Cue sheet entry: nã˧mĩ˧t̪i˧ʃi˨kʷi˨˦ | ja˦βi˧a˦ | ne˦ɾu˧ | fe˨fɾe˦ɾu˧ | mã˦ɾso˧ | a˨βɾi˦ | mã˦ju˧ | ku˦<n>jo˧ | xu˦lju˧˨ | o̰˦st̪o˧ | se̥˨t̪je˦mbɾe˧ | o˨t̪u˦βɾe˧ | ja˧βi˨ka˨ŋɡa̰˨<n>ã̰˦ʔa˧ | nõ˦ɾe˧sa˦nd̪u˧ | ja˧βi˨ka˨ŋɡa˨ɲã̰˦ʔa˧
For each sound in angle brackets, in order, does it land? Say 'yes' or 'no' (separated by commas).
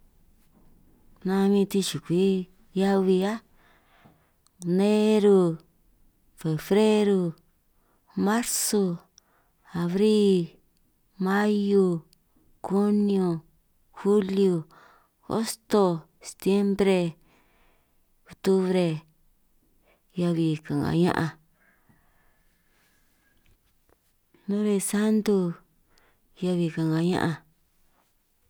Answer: yes, no